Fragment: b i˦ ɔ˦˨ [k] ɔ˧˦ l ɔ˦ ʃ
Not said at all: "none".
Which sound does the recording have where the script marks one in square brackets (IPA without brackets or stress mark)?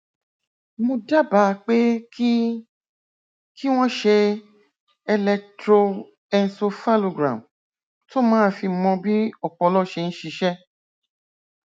k͡p